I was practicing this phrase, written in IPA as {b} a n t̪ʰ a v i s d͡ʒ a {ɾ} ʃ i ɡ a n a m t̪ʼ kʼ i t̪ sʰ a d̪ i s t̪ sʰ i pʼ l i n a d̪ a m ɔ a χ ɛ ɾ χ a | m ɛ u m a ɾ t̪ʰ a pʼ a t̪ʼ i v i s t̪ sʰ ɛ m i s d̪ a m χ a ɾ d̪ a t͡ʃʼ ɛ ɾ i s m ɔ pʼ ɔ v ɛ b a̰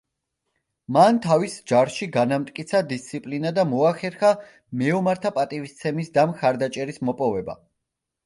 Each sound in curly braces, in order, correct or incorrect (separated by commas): incorrect, correct